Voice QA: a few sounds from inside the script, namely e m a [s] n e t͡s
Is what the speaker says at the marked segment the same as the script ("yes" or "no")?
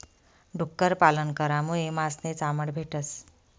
yes